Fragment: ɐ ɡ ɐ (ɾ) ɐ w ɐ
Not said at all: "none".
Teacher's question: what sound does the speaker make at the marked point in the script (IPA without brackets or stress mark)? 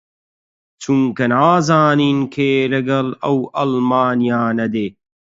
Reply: l